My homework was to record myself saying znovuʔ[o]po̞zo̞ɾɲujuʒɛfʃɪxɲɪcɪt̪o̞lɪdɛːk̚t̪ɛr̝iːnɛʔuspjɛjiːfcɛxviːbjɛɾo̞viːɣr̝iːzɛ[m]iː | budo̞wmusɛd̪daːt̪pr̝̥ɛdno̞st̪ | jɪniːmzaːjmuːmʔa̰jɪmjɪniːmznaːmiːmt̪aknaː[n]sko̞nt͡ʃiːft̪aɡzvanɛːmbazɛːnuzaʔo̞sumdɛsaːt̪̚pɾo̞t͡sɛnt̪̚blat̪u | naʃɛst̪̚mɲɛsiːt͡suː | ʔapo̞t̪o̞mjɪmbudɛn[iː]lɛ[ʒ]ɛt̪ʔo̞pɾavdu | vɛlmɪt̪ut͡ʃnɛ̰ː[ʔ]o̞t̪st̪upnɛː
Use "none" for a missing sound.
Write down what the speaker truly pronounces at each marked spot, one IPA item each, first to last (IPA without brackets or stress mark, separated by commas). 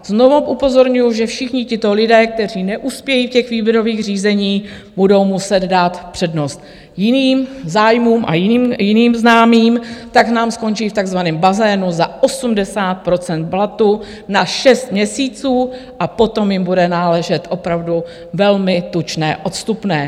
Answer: u, ɲ, m, aː, ʒ, ʔ